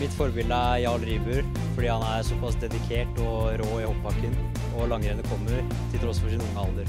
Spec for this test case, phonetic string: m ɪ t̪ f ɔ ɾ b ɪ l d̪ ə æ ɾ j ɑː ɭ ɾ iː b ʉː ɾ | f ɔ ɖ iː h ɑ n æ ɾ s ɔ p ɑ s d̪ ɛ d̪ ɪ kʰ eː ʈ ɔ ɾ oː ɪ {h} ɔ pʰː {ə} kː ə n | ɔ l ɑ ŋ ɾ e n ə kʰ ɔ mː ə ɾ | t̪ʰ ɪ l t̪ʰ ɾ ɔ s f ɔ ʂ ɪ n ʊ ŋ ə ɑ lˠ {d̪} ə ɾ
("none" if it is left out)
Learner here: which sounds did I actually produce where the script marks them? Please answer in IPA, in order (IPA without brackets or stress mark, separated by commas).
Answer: h, ɑ, d̪